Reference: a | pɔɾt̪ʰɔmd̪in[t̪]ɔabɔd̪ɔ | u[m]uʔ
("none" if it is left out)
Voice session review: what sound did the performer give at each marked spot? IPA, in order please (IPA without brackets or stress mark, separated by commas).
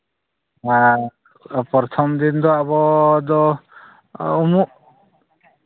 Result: d̪, m